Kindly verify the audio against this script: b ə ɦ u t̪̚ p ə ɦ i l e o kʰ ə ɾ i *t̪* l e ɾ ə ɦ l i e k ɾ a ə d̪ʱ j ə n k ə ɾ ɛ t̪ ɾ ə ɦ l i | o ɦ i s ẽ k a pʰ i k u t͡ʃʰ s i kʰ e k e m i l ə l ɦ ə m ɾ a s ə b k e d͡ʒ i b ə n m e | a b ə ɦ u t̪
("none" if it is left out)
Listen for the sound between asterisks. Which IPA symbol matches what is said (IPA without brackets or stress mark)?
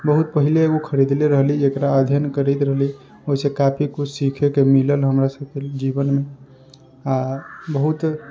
d̪